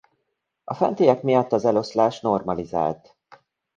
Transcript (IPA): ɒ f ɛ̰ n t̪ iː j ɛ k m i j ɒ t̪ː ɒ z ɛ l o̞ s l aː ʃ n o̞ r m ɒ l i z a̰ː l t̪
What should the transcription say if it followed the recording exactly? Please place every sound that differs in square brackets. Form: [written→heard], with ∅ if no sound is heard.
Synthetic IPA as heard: ɒ f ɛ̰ n t̪ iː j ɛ k m i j ɒ t̪ː ɒ z ɛ l o̞ s l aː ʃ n o̞ r m ɒ l i z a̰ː l t̪